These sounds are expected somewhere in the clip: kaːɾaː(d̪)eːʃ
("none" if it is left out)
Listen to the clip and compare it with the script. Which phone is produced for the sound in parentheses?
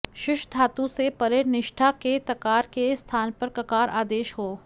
d̪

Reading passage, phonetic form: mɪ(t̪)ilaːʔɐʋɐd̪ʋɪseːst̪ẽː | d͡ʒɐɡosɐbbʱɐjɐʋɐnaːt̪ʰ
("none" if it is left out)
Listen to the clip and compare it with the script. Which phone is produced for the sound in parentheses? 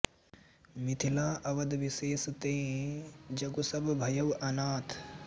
t̪ʰ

